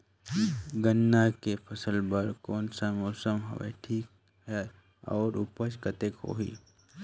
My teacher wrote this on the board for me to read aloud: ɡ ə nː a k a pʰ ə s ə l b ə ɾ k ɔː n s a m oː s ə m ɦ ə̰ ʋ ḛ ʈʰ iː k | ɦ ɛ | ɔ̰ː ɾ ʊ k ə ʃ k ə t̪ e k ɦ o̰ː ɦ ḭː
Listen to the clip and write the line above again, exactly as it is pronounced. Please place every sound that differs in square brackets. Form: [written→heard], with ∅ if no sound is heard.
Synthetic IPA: ɡ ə nː a k [a→e] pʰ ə s ə l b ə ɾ k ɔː n s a m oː s ə m ɦ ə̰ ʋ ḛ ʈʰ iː k | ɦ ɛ | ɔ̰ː ɾ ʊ [k→p] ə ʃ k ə t̪ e k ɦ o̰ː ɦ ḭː